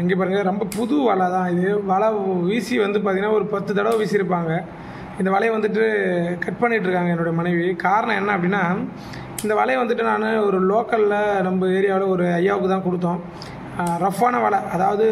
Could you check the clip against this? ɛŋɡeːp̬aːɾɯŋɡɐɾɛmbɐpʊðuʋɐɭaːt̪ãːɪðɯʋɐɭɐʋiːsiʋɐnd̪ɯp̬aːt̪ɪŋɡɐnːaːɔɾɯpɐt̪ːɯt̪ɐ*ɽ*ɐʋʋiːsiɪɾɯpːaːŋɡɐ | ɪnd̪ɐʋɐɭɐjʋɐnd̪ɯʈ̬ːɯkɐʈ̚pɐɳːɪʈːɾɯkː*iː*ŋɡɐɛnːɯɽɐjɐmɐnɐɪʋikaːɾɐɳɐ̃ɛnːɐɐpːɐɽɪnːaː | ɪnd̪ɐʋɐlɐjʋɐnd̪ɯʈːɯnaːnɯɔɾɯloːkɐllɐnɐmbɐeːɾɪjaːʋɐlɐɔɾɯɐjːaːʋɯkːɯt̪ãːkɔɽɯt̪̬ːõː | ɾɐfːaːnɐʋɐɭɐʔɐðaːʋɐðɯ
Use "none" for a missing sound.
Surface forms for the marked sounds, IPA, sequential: ɽ, aː

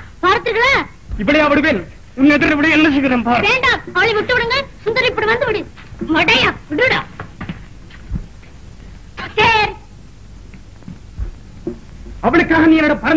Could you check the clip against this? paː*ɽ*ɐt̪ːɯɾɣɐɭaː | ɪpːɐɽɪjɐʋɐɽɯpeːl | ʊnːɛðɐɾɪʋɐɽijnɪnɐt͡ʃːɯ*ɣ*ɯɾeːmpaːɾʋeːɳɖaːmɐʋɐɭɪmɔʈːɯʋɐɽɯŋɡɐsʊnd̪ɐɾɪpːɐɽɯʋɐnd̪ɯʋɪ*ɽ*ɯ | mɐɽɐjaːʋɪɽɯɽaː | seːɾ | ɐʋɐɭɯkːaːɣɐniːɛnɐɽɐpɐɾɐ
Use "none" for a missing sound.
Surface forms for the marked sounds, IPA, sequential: ɾ, ɣ, ɽ

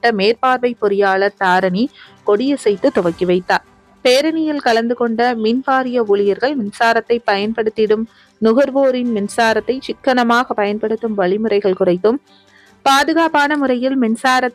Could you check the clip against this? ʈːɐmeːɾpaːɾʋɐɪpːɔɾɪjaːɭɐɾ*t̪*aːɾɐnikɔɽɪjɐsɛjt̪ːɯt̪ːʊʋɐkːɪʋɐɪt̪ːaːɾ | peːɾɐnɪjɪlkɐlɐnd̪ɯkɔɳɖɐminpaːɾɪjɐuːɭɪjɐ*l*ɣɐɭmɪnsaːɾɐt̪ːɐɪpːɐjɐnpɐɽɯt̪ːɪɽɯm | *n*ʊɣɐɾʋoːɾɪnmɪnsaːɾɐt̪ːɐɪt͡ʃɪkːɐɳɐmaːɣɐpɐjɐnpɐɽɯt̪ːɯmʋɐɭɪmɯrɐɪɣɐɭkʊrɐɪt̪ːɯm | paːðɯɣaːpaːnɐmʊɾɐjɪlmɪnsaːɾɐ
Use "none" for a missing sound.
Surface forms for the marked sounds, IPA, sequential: t̪, ɾ, n

